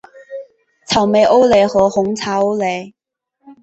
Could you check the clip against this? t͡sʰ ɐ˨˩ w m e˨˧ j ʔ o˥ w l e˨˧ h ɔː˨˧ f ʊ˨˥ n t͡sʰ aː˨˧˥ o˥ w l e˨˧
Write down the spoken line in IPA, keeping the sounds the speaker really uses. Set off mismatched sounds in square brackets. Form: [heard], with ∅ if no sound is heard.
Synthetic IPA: t͡sʰ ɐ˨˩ w m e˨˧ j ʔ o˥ w l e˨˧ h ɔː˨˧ [h] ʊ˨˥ [ŋ] t͡sʰ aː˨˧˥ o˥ w l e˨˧

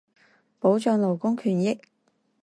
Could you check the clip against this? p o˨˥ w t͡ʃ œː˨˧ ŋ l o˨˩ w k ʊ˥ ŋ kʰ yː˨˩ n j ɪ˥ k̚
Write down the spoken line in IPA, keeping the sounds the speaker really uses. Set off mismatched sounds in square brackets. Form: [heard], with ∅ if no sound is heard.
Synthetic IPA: p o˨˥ w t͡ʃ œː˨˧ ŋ l o˨˩ w k ʊ˥ ŋ kʰ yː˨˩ n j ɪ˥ k̚

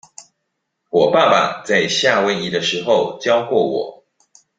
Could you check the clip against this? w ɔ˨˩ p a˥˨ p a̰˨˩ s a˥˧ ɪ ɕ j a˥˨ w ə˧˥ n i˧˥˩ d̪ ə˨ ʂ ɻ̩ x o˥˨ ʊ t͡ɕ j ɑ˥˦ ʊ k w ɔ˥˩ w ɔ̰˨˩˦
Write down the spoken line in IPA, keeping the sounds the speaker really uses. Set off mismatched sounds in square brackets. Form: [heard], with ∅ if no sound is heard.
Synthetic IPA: w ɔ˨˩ p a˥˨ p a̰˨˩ [t͡s] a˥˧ ɪ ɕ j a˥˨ w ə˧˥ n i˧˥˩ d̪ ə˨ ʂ ɻ̩ x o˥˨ ʊ t͡ɕ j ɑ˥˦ ʊ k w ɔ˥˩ w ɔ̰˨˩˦

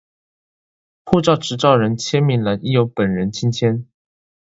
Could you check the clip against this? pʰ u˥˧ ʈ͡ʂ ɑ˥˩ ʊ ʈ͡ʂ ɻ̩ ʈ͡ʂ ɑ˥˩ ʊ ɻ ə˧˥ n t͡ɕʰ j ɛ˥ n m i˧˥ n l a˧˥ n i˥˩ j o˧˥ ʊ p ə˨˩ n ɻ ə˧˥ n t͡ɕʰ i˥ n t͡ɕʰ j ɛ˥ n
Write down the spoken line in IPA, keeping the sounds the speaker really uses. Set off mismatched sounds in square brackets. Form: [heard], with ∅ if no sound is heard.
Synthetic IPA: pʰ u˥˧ ʈ͡ʂ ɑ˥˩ ʊ ʈ͡ʂ ɻ̩ ʈ͡ʂ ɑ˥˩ ʊ ɻ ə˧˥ n t͡ɕʰ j ɛ˥ n m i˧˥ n l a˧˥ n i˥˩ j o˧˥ ʊ p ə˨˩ n ɻ ə˧˥ n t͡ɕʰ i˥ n t͡ɕʰ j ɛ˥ n

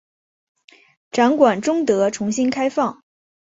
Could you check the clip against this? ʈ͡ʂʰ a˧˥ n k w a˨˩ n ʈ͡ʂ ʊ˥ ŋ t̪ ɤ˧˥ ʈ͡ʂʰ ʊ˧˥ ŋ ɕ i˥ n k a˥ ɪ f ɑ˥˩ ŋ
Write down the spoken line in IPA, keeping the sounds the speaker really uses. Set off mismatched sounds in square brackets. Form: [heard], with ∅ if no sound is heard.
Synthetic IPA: [ʈ͡ʂ] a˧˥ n k w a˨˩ n ʈ͡ʂ ʊ˥ ŋ t̪ ɤ˧˥ ʈ͡ʂʰ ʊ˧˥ ŋ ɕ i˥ n [kʰ] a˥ ɪ f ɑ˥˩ ŋ

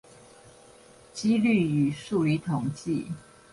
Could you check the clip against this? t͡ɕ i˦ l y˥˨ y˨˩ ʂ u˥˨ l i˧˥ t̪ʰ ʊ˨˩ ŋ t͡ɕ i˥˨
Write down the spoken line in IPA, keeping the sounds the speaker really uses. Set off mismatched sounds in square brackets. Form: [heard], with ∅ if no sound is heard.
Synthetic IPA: t͡ɕ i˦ l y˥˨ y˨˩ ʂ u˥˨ l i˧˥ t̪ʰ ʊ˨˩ ŋ t͡ɕ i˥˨

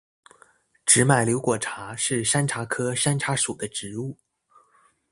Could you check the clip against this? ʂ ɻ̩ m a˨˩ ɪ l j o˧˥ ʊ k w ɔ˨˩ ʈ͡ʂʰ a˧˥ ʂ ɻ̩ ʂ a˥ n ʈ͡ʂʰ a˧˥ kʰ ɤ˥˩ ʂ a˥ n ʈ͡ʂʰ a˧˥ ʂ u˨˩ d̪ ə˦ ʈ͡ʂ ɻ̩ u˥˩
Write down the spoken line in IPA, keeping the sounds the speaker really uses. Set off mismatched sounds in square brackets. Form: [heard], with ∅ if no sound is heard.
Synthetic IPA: [ʈ͡ʂ] ɻ̩ m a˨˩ ɪ l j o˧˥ ʊ k w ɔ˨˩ ʈ͡ʂʰ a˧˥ ʂ ɻ̩ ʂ a˥ n ʈ͡ʂʰ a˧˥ kʰ [ɤ˥] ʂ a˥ n ʈ͡ʂʰ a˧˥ ʂ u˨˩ d̪ ə˦ ʈ͡ʂ ɻ̩ u˥˩

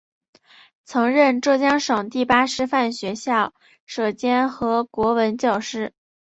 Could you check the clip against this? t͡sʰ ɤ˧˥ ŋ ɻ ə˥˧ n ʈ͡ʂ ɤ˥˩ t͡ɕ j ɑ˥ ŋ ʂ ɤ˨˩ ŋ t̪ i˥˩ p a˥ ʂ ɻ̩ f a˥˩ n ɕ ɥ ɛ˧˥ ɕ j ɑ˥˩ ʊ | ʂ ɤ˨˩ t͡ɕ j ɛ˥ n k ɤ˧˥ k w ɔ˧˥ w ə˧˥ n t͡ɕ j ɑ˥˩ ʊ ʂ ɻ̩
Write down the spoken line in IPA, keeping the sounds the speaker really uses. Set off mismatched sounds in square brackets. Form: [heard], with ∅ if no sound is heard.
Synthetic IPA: t͡sʰ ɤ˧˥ ŋ ɻ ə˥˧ n ʈ͡ʂ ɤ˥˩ t͡ɕ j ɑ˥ ŋ ʂ ɤ˨˩ ŋ t̪ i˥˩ p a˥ ʂ ɻ̩ f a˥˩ n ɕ ɥ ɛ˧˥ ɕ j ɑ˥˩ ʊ | ʂ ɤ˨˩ t͡ɕ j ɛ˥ n [x] ɤ˧˥ k w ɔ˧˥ w ə˧˥ n t͡ɕ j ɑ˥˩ ʊ ʂ ɻ̩

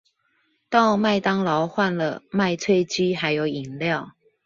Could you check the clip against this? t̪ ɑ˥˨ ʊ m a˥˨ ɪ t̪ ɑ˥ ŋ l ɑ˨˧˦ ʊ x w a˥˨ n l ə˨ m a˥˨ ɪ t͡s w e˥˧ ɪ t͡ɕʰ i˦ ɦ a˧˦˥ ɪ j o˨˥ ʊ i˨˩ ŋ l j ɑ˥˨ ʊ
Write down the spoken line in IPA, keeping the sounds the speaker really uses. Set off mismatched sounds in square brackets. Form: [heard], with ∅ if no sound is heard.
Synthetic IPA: t̪ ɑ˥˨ ʊ m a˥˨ ɪ t̪ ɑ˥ ŋ l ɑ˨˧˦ ʊ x w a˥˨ n l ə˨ m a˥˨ ɪ [t͡sʰ] w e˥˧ ɪ [t͡ɕ] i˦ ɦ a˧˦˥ ɪ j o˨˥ ʊ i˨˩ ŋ l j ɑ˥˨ ʊ

